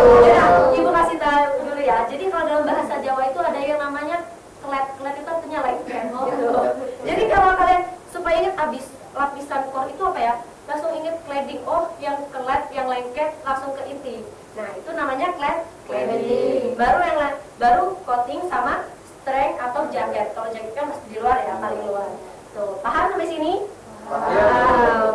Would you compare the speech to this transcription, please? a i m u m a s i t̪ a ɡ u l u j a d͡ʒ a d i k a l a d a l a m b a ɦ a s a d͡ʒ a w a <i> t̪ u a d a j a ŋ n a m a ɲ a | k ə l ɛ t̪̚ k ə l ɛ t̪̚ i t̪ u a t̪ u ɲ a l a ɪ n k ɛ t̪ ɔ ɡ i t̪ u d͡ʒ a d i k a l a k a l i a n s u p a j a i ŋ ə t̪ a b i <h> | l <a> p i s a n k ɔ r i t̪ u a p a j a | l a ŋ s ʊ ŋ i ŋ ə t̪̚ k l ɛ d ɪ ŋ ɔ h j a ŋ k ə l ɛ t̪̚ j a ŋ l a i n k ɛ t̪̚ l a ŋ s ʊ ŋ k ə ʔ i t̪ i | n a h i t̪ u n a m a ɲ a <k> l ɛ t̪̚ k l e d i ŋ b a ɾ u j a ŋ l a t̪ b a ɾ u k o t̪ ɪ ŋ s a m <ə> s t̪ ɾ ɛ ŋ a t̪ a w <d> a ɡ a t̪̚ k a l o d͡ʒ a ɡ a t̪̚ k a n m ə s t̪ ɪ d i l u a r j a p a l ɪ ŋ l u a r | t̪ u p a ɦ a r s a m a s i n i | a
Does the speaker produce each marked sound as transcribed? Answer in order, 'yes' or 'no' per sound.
yes, no, yes, yes, no, no

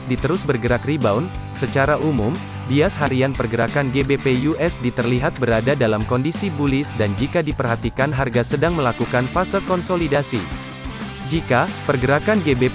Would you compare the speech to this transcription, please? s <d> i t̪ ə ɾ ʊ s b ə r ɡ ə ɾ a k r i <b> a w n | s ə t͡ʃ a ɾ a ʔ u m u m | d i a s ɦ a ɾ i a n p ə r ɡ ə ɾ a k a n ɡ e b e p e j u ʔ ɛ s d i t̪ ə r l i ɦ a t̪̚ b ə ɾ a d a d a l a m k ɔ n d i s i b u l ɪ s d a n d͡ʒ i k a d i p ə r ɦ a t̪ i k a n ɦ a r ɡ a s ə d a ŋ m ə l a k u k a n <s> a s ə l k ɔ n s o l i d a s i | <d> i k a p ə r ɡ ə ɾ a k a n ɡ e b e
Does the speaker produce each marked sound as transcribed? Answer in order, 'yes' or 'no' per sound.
yes, yes, no, no

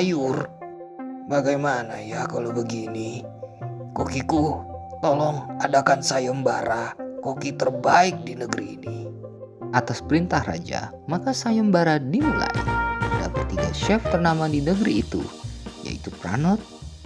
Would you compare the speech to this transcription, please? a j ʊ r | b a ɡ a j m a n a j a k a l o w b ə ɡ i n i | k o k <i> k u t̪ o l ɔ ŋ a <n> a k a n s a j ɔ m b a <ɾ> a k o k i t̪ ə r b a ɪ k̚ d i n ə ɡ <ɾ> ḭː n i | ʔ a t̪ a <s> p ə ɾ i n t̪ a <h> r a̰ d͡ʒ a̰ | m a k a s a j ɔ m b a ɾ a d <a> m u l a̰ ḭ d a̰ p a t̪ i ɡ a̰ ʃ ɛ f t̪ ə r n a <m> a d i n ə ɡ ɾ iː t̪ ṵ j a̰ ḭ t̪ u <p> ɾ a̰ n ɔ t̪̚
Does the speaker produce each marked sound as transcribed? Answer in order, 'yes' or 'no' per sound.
yes, no, yes, yes, yes, yes, no, yes, yes

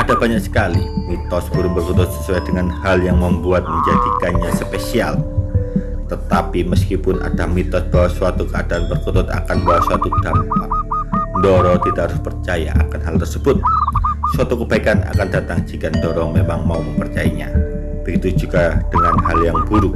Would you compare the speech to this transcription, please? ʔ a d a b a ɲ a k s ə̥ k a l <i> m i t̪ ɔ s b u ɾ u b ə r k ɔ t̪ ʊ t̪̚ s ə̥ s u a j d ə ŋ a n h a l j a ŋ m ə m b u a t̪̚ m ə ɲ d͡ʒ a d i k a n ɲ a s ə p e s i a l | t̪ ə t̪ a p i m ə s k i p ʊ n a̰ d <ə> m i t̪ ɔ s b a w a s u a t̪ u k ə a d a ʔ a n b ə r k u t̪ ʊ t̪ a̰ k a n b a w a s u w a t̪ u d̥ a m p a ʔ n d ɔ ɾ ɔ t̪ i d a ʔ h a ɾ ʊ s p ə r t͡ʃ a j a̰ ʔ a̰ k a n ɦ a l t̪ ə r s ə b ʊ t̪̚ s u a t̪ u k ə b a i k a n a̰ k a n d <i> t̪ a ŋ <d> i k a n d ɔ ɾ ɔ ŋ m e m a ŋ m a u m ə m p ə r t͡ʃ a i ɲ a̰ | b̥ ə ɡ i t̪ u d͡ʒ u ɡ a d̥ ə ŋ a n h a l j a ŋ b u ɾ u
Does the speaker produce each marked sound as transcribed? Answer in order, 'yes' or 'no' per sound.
yes, no, no, no

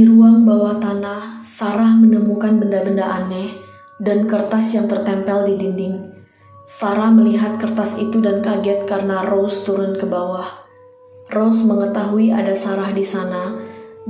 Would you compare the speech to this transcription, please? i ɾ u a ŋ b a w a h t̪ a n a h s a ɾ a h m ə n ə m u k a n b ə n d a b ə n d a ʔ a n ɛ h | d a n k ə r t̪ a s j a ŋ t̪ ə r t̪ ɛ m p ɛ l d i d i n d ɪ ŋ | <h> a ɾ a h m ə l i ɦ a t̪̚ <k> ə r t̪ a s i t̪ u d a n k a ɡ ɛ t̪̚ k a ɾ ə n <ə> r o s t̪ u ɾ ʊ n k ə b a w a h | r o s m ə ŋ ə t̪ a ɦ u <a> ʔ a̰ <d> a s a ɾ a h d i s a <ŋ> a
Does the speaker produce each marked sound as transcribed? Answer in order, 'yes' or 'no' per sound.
no, yes, no, no, yes, no

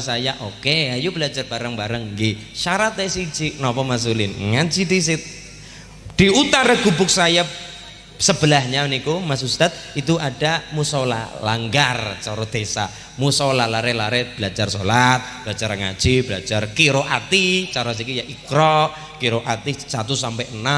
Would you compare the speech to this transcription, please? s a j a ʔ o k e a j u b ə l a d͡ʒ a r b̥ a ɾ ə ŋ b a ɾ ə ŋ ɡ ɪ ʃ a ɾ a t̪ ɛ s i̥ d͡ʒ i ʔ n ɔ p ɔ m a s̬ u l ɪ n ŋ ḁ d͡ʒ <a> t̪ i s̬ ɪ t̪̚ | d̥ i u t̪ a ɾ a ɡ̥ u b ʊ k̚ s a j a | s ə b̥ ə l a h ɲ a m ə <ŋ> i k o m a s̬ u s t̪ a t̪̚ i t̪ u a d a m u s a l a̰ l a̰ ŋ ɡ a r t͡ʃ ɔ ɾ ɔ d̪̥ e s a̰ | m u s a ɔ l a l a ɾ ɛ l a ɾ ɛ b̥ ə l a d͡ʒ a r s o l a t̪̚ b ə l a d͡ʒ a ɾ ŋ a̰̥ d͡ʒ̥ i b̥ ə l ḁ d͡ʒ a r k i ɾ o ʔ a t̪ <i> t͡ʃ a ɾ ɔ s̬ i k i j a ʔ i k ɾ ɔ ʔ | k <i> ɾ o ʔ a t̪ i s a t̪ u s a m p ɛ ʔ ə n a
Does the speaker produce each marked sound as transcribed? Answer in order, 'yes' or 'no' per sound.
no, no, yes, yes

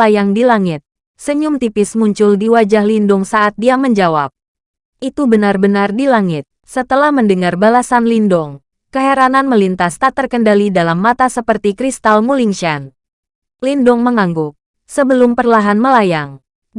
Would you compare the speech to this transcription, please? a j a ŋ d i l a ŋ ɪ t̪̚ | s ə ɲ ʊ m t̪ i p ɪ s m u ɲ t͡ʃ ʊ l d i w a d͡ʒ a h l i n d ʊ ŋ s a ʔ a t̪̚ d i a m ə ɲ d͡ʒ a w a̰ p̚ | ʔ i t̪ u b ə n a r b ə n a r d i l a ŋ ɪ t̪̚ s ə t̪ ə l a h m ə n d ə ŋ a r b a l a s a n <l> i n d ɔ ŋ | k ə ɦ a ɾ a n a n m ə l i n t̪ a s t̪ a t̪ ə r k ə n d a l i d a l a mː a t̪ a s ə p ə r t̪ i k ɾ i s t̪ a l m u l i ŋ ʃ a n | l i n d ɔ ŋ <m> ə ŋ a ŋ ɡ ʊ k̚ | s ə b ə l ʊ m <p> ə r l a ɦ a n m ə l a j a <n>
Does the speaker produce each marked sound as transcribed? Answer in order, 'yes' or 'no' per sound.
yes, yes, yes, no

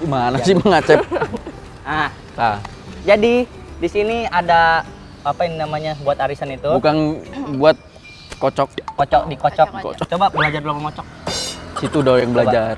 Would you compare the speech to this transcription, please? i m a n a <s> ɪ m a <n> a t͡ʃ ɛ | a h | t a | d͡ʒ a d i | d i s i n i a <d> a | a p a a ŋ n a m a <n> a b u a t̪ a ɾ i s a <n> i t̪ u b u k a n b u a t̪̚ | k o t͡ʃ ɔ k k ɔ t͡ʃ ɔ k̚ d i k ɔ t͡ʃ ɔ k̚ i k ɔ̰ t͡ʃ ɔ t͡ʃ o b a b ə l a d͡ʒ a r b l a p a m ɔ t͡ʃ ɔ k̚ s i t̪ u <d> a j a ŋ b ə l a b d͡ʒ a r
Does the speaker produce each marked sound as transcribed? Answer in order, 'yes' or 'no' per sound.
yes, no, yes, no, yes, yes

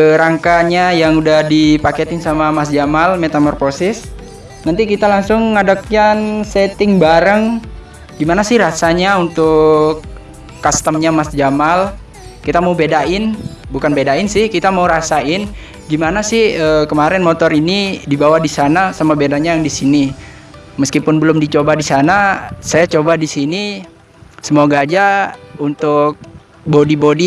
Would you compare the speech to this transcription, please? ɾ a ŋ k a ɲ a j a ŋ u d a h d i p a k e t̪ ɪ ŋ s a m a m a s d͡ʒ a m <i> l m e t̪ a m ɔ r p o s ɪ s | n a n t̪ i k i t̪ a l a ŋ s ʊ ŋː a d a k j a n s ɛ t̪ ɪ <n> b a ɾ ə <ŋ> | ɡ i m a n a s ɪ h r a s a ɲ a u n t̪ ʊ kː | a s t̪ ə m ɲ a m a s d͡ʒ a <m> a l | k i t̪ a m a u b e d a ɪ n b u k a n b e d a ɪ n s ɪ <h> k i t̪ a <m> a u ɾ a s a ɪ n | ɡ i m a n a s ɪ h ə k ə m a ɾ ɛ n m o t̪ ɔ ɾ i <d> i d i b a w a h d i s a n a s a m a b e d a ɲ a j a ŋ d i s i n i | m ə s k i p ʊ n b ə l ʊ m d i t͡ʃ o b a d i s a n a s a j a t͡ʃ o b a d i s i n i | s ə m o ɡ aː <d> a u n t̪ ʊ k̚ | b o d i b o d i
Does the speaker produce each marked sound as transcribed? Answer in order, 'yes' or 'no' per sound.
no, no, yes, yes, yes, yes, no, no

